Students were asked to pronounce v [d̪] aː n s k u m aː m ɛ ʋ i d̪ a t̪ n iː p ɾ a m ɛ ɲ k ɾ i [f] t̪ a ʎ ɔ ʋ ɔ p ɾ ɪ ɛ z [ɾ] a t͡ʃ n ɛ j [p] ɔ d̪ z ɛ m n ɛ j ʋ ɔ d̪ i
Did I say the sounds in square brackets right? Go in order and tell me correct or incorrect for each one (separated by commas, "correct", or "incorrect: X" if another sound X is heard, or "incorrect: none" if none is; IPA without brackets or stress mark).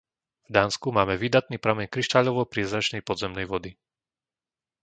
correct, incorrect: ʃ, correct, correct